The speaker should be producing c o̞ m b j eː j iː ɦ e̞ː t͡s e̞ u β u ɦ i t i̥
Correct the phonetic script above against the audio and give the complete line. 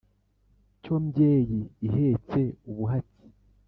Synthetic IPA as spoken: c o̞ m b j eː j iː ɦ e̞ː t͡s e̞ u β u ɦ a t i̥